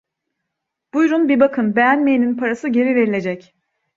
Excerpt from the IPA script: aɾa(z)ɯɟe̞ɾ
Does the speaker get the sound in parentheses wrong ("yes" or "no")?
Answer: yes